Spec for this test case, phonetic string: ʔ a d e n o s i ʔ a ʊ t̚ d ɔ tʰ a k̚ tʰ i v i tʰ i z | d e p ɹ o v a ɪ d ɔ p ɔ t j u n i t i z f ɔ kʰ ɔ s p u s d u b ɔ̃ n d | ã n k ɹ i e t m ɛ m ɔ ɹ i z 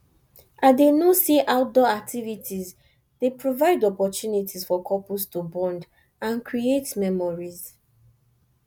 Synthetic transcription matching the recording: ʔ a d e n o s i ʔ a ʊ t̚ d ɔ a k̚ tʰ i v i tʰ i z | d e p ɹ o v a ɪ d ɔ p ɔ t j u n i t i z f ɔ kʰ ɔ p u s t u b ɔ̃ n d | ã n k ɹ i e t m ɛ m ɔ ɹ i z